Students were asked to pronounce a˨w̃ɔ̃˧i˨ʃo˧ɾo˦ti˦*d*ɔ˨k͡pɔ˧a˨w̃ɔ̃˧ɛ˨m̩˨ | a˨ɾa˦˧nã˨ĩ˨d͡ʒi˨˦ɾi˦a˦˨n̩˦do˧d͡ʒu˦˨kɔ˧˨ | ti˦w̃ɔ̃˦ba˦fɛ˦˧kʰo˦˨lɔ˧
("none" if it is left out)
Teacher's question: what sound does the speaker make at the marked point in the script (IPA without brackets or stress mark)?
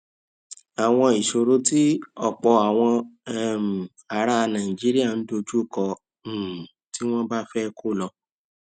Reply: none